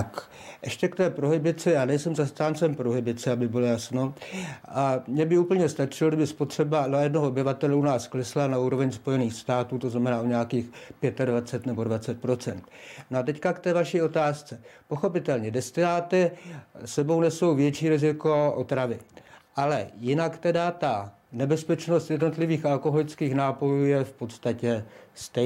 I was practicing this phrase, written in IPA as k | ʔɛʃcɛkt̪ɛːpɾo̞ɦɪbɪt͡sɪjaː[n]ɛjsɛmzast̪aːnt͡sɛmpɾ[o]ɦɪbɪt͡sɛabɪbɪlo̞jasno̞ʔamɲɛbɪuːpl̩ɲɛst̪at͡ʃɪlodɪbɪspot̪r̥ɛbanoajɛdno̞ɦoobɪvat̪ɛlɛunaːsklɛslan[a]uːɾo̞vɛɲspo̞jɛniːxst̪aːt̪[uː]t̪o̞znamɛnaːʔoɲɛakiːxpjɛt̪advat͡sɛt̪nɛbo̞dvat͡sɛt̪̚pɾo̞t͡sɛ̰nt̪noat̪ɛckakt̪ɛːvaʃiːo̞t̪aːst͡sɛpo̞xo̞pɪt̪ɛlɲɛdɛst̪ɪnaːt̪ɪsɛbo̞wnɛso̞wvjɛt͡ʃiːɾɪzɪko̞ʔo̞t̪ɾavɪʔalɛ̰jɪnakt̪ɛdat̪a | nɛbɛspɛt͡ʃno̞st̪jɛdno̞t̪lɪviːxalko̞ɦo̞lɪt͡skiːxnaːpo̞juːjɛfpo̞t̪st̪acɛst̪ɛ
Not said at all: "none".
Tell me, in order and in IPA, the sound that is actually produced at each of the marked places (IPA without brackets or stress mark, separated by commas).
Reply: n, o, a, uː